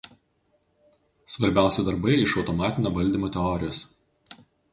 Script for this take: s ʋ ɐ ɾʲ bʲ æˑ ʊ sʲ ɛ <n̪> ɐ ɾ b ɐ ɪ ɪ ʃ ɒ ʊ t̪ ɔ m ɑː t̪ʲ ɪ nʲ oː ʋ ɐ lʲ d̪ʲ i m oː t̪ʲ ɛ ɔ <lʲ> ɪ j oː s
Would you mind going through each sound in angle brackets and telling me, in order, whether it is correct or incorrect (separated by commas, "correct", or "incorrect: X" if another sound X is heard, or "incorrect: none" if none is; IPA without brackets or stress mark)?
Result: incorrect: d̪, incorrect: ɾʲ